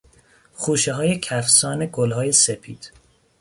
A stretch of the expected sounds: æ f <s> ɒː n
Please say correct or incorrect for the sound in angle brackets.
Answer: correct